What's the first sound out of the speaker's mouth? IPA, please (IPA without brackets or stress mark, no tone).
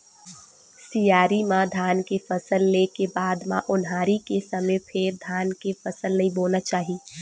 s